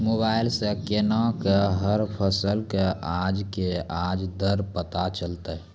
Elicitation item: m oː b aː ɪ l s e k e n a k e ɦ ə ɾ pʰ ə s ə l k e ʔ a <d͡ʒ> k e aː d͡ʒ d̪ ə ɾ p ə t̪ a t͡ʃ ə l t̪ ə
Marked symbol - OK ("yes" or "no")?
yes